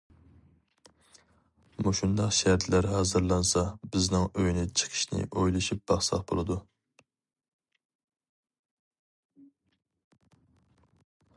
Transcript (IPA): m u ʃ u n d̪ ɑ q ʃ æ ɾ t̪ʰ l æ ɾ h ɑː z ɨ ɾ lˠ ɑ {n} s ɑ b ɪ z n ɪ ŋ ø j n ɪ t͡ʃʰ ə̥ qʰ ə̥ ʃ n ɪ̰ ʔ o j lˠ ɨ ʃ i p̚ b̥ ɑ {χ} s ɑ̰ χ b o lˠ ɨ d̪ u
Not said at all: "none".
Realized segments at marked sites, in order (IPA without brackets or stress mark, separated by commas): n, χ